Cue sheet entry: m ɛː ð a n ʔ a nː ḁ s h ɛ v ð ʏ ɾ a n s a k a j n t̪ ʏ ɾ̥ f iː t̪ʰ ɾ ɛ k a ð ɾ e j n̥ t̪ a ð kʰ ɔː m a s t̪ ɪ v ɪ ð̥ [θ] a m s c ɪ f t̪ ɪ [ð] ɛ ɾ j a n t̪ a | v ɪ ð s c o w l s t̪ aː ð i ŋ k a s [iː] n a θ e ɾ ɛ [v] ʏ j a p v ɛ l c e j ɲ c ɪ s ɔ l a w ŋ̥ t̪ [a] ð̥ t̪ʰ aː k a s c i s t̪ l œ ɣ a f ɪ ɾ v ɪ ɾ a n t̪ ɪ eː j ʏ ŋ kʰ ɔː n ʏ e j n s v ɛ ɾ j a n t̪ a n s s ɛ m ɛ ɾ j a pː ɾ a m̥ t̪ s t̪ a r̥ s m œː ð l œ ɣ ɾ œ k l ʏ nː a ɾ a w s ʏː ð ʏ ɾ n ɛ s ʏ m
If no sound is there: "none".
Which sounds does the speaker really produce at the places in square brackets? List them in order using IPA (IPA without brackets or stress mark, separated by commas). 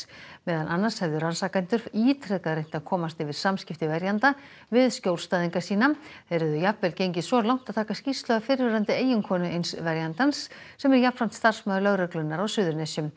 s, v, iː, ð, a